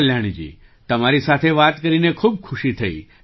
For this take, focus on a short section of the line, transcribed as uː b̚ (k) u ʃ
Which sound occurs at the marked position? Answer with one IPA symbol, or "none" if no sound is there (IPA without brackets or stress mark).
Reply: kʰ